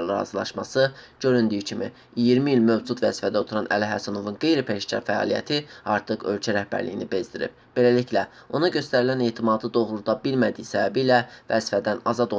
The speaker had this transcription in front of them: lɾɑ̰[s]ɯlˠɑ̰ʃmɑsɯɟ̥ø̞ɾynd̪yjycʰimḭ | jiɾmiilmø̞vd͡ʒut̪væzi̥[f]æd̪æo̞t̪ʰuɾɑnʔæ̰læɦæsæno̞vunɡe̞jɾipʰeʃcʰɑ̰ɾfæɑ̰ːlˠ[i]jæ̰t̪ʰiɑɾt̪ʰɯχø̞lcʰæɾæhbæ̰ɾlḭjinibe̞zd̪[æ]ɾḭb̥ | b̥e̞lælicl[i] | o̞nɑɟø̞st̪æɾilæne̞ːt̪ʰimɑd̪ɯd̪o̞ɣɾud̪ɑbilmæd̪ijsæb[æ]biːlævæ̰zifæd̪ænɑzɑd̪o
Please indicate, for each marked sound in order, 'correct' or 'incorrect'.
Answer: incorrect, correct, correct, incorrect, incorrect, correct

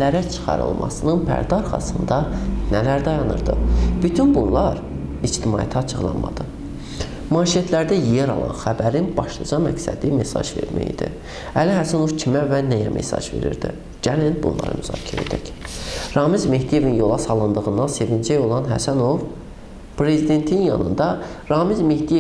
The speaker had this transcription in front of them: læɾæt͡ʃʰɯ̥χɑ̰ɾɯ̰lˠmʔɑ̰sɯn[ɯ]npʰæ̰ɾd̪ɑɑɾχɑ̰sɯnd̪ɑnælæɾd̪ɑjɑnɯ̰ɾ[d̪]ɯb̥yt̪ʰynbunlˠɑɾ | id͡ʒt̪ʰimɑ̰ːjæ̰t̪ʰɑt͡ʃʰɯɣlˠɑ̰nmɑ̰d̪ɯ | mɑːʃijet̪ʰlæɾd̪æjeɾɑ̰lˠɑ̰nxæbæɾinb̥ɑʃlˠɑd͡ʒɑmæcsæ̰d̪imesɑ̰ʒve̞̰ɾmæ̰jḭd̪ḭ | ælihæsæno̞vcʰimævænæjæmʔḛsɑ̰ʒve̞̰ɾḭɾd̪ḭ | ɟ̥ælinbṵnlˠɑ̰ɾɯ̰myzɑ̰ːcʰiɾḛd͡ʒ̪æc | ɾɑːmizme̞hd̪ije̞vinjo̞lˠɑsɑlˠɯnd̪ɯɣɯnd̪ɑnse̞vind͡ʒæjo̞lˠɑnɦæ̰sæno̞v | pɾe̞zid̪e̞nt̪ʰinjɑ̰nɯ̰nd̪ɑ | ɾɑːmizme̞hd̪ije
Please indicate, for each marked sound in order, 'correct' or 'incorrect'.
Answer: correct, correct

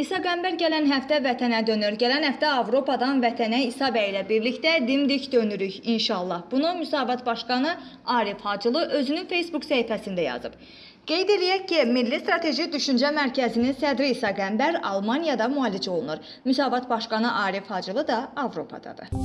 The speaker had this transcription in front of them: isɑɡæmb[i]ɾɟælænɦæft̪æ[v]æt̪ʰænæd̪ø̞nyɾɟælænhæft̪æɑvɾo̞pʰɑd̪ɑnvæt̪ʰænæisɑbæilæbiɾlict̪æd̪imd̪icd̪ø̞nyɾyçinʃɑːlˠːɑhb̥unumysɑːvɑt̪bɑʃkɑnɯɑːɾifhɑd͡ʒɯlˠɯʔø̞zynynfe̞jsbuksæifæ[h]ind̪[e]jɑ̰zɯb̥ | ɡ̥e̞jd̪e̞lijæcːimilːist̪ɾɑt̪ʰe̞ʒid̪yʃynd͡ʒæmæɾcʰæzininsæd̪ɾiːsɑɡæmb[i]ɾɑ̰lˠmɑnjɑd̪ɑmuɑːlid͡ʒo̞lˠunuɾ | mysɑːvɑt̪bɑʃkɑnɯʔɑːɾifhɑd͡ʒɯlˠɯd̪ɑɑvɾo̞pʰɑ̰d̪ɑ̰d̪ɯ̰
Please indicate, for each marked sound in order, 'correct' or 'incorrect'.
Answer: incorrect, correct, incorrect, incorrect, incorrect

